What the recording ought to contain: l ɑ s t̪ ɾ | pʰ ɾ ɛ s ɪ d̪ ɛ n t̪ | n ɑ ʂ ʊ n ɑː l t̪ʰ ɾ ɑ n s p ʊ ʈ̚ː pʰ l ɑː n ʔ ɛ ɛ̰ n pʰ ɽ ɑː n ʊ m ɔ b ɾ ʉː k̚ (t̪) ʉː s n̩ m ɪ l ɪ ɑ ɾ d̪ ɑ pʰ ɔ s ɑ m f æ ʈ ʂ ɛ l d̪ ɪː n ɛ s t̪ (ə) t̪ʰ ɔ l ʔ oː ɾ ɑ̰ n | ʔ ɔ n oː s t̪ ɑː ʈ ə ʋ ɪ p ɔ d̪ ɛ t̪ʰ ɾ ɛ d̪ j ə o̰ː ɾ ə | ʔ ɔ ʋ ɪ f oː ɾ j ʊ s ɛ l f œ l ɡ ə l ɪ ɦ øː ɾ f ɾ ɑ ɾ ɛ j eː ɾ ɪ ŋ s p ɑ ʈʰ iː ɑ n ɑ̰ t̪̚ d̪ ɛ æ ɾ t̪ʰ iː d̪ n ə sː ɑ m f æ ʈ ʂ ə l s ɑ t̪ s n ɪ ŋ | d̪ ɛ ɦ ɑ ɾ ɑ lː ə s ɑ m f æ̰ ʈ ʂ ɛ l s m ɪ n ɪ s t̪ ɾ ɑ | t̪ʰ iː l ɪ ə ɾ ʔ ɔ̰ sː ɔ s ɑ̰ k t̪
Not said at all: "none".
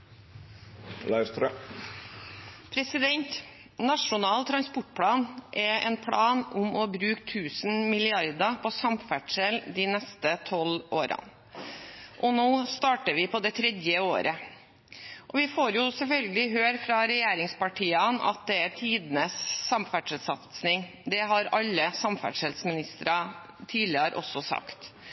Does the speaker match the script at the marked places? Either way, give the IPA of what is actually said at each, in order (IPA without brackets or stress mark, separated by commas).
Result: t̪ʰ, ə